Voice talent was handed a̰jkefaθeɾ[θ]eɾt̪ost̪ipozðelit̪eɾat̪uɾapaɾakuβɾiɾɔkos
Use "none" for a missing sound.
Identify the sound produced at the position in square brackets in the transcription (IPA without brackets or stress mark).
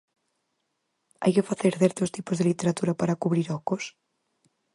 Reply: θ